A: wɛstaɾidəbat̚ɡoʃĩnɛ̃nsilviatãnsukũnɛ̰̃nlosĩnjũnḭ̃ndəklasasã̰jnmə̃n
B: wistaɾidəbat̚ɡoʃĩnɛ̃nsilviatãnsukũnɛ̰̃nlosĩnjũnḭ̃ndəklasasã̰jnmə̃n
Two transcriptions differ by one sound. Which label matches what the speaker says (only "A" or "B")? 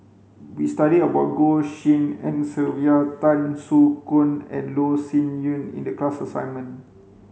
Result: B